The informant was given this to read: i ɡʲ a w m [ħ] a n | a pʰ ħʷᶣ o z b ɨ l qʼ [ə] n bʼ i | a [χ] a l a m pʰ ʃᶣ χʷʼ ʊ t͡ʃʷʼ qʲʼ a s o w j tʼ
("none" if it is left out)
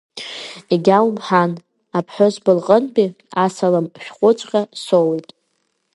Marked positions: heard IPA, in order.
ħ, ə, s

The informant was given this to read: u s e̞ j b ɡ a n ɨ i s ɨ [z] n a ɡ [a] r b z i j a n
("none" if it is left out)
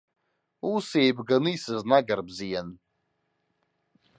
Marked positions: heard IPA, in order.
z, a

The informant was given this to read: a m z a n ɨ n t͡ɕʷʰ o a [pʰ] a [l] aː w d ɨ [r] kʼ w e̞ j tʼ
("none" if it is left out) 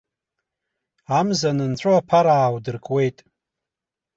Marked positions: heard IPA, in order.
pʰ, ɾ, r

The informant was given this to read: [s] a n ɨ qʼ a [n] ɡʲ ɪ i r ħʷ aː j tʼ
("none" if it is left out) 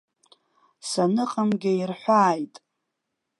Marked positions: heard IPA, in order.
s, m

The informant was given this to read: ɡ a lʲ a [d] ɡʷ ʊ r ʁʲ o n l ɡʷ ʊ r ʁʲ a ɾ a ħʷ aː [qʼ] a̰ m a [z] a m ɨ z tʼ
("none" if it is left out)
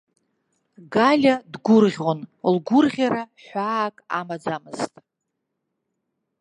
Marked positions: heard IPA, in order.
d, kʼ, d͡z

